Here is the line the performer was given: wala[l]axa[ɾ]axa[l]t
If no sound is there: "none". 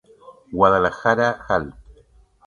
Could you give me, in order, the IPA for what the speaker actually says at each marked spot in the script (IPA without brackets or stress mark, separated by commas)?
l, ɾ, l